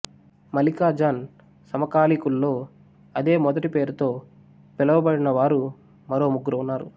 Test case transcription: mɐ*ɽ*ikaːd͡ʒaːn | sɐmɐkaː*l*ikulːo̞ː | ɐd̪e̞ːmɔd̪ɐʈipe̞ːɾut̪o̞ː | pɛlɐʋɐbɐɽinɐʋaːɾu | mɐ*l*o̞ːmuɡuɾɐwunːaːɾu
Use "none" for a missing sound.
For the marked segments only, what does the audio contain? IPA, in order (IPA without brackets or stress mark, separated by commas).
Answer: l, l, ɾ